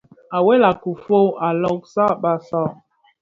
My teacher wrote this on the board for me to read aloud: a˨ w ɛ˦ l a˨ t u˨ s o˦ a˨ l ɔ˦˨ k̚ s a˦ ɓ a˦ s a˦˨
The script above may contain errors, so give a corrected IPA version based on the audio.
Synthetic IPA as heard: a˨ w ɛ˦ l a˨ k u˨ f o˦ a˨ l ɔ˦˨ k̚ s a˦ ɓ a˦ s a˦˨